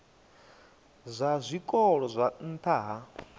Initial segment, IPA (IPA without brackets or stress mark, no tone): zʷ